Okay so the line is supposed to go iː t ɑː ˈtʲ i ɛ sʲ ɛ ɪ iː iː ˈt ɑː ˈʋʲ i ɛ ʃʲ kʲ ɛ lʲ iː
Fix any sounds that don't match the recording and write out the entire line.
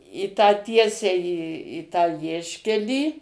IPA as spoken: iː t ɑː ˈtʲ i ɛ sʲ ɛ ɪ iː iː ˈt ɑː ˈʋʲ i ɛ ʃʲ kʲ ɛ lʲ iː